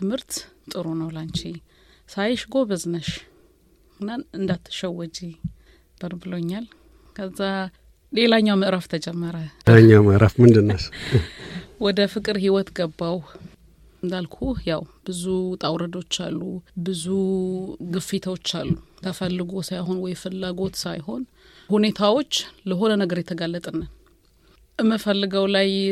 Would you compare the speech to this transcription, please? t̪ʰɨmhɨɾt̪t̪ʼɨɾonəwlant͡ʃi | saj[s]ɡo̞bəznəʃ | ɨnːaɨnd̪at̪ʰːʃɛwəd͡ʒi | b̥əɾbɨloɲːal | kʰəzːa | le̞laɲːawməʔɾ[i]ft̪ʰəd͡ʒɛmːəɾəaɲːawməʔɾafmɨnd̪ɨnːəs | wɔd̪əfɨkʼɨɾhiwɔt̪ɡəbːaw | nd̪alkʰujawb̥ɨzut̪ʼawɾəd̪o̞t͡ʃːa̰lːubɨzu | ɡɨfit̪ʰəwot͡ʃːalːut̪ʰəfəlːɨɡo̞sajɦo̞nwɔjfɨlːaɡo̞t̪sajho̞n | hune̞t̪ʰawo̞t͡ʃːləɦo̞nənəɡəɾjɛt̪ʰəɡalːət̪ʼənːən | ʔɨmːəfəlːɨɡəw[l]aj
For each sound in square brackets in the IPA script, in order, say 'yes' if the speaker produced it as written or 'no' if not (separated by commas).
no, no, yes